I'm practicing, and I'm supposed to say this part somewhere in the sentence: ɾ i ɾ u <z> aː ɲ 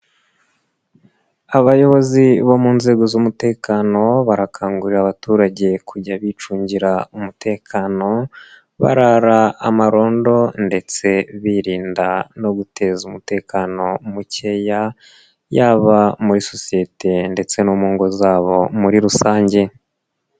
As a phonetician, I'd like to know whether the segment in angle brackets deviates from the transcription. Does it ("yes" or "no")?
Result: yes